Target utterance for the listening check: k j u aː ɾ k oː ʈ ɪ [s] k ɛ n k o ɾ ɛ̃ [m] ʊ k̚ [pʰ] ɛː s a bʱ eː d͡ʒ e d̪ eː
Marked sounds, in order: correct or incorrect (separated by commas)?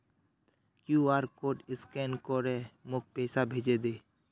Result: correct, correct, incorrect